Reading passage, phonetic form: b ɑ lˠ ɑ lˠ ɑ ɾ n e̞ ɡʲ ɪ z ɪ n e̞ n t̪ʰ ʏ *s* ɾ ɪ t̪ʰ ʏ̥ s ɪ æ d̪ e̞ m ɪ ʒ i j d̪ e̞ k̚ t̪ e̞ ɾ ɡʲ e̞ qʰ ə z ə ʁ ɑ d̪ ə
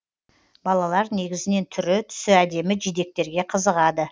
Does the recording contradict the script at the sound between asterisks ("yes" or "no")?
yes